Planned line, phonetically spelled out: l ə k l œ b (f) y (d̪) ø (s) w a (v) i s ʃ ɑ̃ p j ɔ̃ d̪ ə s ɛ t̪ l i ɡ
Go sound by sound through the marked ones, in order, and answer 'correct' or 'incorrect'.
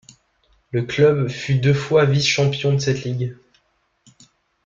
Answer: correct, correct, incorrect, correct

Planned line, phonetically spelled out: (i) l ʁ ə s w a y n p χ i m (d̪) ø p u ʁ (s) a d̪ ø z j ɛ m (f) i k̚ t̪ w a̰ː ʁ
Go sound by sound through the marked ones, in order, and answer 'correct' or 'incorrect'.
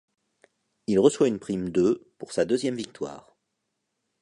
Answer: correct, correct, correct, incorrect

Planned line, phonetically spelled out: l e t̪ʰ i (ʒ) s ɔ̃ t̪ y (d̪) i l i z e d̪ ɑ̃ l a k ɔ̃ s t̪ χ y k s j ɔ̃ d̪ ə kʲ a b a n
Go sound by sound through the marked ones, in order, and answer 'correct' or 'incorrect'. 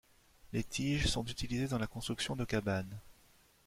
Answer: correct, incorrect

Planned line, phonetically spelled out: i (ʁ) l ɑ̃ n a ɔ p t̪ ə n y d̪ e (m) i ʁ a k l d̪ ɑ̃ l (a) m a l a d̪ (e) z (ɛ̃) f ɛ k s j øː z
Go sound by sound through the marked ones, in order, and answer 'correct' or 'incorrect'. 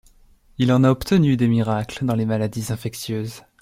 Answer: incorrect, correct, incorrect, incorrect, correct

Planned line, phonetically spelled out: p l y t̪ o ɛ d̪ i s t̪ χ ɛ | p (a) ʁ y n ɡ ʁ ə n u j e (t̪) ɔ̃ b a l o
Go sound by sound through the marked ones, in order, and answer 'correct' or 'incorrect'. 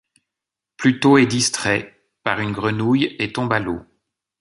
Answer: correct, correct

